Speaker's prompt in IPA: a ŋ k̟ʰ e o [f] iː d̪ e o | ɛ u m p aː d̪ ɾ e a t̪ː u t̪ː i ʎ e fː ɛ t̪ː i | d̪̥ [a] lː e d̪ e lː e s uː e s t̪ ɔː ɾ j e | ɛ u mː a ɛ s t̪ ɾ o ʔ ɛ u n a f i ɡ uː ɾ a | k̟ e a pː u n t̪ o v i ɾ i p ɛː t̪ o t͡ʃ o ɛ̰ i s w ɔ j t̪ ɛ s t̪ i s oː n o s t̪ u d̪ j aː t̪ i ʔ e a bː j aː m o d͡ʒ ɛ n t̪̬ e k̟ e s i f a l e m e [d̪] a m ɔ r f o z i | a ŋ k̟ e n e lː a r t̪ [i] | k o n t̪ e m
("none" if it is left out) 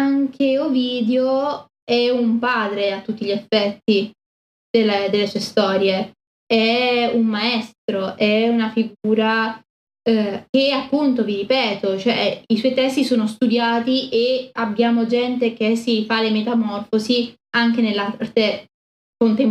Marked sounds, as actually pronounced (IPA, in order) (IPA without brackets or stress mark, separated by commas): v, e, t̪, e